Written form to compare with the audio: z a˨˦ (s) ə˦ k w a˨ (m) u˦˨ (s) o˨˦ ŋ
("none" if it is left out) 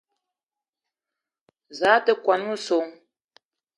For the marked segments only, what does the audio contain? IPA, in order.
t, n, s

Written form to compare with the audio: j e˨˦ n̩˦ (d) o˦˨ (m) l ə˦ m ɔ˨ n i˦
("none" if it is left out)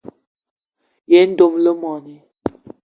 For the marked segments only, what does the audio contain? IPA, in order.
d, m

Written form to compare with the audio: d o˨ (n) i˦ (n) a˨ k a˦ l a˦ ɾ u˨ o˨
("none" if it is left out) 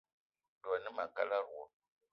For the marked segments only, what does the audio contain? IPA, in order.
n, m

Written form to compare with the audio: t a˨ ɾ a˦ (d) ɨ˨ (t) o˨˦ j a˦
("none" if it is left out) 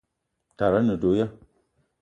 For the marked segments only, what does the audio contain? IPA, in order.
n, d

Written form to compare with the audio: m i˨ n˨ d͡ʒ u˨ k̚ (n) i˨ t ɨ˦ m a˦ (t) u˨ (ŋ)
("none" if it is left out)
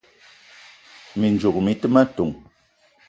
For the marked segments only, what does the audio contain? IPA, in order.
m, t, ŋ

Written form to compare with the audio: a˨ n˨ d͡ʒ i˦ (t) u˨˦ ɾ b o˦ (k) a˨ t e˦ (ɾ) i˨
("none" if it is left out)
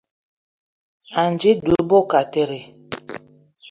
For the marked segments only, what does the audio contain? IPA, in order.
d, k, ɾ

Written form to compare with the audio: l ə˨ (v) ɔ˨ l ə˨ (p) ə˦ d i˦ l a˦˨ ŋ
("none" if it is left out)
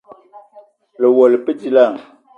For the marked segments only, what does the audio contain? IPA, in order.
w, p

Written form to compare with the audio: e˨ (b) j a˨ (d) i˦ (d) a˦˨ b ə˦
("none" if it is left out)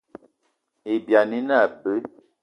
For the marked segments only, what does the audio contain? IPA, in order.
b, n, n

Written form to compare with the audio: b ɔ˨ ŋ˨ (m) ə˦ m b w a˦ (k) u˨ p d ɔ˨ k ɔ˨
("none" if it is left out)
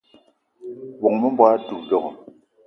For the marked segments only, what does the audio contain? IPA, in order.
m, t

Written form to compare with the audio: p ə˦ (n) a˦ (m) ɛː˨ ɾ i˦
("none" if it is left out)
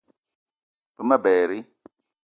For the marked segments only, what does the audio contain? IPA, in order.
m, b

